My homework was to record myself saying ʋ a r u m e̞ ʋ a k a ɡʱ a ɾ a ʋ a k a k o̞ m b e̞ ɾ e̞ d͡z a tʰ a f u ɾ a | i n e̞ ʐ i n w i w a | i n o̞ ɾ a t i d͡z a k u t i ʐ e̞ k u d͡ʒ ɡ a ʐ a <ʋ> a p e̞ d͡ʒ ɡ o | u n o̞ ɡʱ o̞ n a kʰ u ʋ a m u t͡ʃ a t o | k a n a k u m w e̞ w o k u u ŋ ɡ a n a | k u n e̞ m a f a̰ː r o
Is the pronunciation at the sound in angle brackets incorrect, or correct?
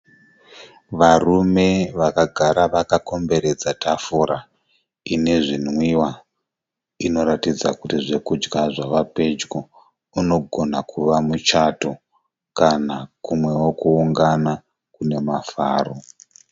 correct